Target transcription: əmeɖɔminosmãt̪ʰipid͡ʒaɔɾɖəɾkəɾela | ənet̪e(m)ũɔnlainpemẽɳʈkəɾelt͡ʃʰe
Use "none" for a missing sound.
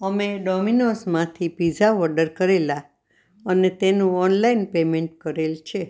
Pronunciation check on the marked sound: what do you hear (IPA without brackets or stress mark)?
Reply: n